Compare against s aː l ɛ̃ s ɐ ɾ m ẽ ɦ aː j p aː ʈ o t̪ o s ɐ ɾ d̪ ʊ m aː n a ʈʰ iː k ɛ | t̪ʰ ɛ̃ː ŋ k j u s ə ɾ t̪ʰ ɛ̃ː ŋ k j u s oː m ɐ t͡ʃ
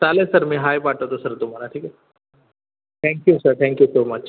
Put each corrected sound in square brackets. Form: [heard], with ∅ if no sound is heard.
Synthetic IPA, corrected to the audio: s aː l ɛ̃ s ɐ ɾ m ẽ ɦ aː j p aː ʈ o t̪ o s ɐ ɾ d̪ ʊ m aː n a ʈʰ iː k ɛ | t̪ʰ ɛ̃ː ŋ k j u s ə ɾ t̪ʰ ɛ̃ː ŋ k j u s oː m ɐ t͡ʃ